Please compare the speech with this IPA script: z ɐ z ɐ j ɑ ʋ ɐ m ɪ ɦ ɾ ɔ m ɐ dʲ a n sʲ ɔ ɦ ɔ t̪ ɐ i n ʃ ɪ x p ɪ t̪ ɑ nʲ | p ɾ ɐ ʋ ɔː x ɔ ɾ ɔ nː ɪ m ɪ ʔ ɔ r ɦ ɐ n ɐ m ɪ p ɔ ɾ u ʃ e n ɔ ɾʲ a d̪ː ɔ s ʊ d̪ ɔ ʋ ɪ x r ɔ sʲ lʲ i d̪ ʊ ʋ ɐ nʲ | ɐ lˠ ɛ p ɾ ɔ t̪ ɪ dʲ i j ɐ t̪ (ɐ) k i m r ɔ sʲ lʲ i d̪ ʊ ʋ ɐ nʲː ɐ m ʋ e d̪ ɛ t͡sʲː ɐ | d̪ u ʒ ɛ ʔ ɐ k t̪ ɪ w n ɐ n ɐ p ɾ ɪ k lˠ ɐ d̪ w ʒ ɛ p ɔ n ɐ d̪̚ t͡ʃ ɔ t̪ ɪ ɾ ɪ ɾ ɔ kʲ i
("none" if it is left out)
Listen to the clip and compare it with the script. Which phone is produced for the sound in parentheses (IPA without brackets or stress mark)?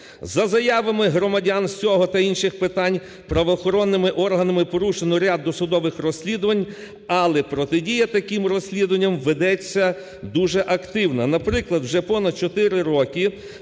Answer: ɐ